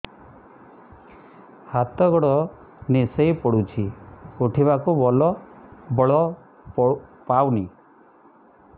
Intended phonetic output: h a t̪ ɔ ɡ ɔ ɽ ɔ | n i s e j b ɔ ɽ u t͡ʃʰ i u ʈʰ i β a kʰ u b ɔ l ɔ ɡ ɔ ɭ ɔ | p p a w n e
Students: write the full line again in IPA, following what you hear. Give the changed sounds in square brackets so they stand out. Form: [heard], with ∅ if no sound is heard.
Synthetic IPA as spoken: h a t̪ ɔ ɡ ɔ ɽ ɔ | n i s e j [p] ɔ ɽ u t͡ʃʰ i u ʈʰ i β a [k] u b ɔ l ɔ [b] ɔ ɭ ɔ | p p a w n [i]